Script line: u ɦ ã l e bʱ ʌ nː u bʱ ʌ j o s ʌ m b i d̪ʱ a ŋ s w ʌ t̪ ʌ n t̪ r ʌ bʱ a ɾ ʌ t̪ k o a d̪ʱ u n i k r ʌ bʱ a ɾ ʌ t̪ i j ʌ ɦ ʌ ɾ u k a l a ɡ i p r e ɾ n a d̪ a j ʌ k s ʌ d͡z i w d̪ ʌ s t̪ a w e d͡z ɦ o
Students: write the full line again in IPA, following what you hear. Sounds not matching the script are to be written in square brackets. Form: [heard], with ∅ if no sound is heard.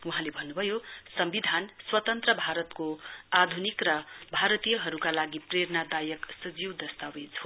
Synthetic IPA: u ɦ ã l e bʱ ʌ nː u bʱ ʌ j o s ʌ m b i d̪ʱ a [n] s w ʌ t̪ ʌ n t̪ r ʌ bʱ a ɾ ʌ t̪ k o a d̪ʱ u n i k r ʌ bʱ a ɾ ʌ t̪ i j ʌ ɦ ʌ ɾ u k a l a ɡ i p r e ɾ n a d̪ a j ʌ k s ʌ d͡z i w d̪ ʌ s t̪ a w e d͡z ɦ o